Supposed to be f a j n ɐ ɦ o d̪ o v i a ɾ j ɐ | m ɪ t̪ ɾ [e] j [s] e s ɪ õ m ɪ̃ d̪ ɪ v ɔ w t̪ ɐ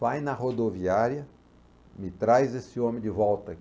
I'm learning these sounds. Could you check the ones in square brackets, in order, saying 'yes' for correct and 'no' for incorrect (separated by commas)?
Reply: no, no